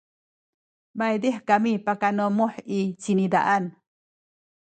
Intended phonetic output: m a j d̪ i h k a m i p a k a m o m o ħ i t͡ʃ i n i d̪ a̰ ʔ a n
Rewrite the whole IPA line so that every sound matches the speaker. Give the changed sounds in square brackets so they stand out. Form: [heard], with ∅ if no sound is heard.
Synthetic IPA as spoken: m a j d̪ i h k a m i p a k a [n] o m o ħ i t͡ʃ i n i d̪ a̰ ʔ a n

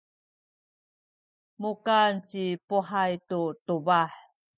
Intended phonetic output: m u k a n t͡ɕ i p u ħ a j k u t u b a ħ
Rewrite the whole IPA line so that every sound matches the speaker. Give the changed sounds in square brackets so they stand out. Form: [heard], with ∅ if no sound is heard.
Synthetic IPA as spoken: m u k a n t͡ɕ i p u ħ a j [t] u t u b a ħ

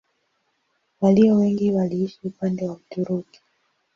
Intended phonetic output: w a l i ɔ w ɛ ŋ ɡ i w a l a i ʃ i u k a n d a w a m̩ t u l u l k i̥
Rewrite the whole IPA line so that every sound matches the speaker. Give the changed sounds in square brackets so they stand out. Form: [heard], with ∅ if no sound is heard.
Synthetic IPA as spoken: w a l i ɔ w ɛ ŋ ɡ i w a l [i] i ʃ i u [p] a n d [ɛ] w a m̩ t u [ɾ] u [∅] k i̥

